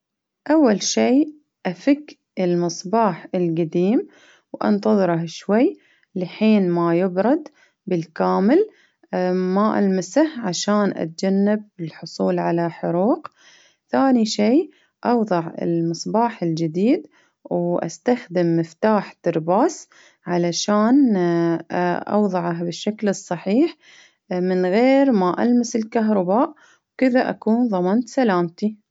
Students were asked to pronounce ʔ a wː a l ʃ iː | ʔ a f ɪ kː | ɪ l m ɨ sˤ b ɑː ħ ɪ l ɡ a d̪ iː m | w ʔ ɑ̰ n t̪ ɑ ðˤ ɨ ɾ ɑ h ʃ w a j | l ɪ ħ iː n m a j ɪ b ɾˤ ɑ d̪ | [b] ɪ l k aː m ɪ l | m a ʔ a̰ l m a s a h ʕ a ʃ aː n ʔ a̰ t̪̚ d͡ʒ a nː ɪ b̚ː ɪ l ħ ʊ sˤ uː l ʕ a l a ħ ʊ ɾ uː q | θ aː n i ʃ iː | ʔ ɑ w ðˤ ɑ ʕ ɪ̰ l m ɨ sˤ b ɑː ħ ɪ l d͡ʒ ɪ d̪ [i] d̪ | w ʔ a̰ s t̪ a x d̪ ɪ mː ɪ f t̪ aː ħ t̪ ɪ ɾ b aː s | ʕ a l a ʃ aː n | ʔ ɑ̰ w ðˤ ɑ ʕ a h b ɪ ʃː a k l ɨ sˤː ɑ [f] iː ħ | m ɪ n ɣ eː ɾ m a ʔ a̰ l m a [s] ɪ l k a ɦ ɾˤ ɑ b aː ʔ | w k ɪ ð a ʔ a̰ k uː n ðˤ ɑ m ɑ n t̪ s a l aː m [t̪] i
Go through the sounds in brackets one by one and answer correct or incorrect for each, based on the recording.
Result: correct, incorrect, incorrect, correct, correct

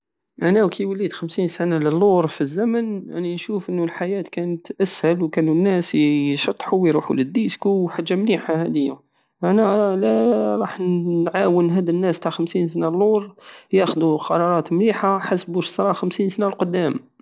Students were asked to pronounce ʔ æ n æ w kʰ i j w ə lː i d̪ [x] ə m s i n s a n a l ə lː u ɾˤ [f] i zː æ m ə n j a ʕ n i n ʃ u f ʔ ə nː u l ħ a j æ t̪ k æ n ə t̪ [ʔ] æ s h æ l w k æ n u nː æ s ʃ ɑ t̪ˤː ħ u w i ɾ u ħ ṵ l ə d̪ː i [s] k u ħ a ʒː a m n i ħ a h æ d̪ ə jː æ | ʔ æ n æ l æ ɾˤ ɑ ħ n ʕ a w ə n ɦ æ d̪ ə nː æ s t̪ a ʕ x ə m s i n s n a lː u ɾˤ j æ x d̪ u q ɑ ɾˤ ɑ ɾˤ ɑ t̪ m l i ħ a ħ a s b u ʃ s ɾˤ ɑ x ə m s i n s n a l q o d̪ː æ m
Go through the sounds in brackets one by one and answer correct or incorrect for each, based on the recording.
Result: correct, correct, correct, correct

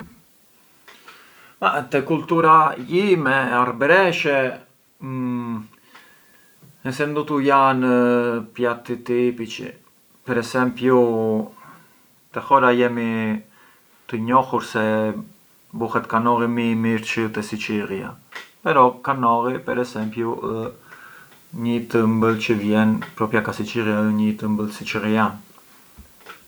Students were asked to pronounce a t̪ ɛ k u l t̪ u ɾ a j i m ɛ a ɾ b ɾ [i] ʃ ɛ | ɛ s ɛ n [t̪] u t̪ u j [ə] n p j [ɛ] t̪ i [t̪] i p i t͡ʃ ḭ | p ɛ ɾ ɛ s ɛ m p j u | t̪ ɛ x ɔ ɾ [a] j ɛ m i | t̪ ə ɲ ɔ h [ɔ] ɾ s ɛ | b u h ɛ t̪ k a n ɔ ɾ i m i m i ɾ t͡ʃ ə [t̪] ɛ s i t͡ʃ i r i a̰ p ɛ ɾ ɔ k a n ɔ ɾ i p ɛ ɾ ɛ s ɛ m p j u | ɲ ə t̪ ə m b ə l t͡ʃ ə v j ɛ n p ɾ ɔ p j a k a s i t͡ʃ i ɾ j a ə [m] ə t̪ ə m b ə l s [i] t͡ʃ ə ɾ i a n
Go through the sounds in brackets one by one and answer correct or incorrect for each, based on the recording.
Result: incorrect, incorrect, incorrect, incorrect, correct, correct, incorrect, correct, incorrect, correct

